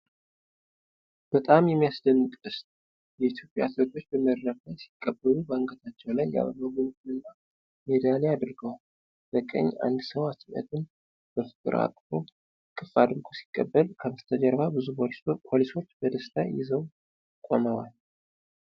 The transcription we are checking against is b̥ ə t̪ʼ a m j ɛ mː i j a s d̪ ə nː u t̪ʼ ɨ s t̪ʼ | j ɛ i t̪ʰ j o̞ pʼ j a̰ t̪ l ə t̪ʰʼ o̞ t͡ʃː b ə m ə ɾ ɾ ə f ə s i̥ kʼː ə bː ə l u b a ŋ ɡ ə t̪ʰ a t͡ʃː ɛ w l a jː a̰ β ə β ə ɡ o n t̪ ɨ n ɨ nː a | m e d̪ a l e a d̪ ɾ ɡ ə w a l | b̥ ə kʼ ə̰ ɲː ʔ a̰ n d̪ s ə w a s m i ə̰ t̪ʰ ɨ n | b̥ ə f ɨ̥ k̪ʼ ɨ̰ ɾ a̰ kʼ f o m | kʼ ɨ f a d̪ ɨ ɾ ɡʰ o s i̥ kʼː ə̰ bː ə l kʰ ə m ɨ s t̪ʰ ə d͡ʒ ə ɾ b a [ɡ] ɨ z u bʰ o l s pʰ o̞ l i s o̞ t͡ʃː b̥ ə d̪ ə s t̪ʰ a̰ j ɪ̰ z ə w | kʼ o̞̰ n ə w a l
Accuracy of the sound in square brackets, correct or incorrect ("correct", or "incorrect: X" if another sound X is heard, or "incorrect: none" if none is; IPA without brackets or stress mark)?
incorrect: b